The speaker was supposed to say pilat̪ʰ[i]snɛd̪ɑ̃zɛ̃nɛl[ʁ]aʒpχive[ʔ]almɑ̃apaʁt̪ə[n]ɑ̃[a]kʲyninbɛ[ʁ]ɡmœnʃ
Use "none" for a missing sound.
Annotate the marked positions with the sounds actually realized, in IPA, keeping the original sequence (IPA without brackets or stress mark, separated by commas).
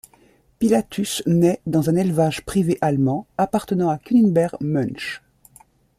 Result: y, v, ʔ, n, a, ʁ